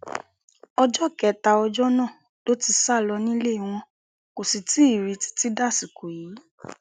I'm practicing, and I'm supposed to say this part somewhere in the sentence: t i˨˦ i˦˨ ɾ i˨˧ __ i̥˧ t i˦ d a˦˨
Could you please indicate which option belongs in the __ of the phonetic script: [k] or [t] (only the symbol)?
t